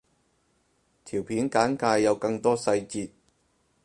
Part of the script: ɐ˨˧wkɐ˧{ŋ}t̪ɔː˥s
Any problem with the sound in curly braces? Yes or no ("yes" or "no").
no